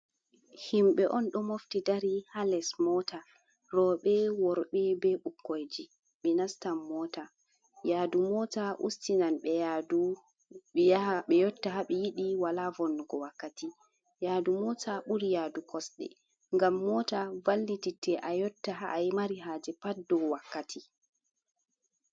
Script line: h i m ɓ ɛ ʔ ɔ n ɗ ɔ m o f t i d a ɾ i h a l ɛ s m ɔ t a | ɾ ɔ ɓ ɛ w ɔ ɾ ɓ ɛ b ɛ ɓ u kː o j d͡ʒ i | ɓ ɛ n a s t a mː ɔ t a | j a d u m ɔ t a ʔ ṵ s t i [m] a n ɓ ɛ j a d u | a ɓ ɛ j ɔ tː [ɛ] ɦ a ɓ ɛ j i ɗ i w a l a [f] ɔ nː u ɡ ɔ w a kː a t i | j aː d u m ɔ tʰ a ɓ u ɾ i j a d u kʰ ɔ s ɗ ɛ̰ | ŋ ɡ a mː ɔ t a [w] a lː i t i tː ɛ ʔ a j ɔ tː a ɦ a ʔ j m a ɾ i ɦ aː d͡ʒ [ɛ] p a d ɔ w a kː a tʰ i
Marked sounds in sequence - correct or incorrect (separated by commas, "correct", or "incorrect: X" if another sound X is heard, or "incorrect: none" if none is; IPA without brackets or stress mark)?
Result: incorrect: n, incorrect: a, incorrect: v, incorrect: v, correct